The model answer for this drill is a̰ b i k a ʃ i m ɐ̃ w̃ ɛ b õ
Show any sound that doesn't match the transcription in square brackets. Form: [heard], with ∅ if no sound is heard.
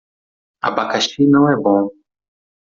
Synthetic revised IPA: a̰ b [a] k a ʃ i [n] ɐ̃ w̃ ɛ b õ

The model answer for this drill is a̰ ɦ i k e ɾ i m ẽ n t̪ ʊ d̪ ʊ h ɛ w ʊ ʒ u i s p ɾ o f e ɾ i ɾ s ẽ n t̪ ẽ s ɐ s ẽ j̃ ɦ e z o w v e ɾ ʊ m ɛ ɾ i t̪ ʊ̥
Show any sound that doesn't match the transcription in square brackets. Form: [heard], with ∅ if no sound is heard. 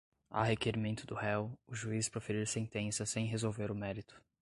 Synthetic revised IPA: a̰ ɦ [e] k e ɾ i m ẽ n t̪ ʊ d̪ ʊ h ɛ w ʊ ʒ u i s p ɾ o f e ɾ i ɾ s ẽ n t̪ ẽ s ɐ s ẽ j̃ ɦ e z o w v e ɾ ʊ m ɛ ɾ i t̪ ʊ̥

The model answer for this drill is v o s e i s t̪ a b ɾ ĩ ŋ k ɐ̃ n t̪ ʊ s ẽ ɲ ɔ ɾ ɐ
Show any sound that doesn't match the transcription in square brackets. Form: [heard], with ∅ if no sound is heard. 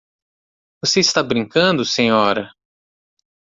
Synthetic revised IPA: v o s e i s t̪ a b ɾ ĩ ŋ k ɐ̃ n [d̪] ʊ s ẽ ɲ ɔ ɾ ɐ

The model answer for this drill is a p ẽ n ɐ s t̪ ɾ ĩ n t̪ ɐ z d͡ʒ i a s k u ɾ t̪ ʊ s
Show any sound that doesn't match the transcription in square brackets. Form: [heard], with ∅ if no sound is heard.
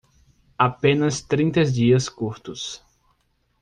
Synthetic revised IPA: a p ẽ n ɐ s t̪ ɾ ĩ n t̪ ɐ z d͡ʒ i [ɐ] s k u ɾ t̪ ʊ s

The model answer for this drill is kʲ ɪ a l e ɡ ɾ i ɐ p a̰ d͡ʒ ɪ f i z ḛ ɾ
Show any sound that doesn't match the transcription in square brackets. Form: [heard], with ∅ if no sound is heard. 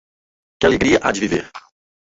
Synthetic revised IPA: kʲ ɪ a l e ɡ ɾ i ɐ [ʔ] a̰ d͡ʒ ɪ [v] i [v] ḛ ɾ

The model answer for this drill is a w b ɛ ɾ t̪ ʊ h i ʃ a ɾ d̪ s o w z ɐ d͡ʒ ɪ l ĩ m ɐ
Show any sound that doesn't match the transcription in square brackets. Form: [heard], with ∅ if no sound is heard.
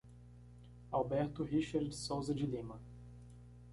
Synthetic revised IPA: a w b ɛ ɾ t̪ ʊ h i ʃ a ɾ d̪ s o w z ɐ d͡ʒ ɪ l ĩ m ɐ

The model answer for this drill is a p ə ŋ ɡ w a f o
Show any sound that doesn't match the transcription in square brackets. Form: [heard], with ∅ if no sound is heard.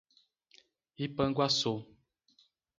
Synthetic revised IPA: [i] p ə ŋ ɡ w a [s] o

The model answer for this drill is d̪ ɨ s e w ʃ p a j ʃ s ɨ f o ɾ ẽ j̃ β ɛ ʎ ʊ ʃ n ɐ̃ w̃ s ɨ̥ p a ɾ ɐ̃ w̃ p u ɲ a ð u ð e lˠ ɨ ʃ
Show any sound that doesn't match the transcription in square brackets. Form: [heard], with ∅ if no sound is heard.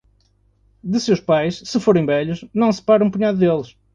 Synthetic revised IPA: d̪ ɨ s e w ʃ p a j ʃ s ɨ f o ɾ ẽ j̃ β ɛ ʎ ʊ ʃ n ɐ̃ w̃ s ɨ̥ p a ɾ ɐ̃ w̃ p u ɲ a ð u ð e lˠ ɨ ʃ

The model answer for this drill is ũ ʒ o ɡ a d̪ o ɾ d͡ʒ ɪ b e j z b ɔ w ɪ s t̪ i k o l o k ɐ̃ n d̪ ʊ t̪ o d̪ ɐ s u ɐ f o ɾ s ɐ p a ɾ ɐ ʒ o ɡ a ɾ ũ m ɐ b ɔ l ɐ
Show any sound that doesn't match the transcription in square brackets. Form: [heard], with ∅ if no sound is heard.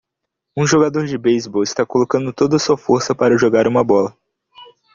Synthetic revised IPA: ũ ʒ o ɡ a d̪ o ɾ d͡ʒ ɪ b e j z b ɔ w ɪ s t̪ [a] k o l o k ɐ̃ n d̪ ʊ t̪ o d̪ ɐ s u ɐ f o ɾ s ɐ p a ɾ ɐ ʒ o ɡ a ɾ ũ m ɐ b ɔ l ɐ

